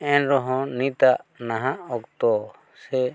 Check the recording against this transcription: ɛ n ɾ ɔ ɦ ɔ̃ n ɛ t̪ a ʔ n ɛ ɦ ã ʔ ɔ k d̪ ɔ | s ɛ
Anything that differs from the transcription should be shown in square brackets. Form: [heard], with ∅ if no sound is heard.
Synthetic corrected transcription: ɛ n ɾ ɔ ɦ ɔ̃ n [i] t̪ a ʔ n [a] ɦ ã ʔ ɔ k [t̪] ɔ | s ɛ